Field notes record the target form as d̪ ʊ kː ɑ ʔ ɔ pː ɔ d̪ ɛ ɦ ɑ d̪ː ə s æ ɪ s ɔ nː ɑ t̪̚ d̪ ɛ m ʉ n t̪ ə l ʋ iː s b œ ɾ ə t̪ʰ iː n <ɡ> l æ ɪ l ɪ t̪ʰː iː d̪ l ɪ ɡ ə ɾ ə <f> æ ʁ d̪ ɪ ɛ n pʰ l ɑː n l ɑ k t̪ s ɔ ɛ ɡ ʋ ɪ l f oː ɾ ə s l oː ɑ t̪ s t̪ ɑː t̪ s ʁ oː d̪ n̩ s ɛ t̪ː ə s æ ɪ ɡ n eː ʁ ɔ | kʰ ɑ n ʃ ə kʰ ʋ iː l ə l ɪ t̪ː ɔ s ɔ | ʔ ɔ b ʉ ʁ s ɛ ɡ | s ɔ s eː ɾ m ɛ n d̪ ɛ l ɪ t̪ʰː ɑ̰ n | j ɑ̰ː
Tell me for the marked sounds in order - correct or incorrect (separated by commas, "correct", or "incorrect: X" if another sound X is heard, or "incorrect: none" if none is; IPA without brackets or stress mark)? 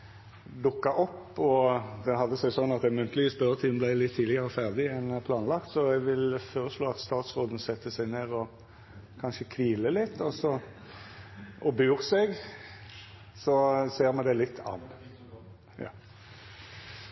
incorrect: b, correct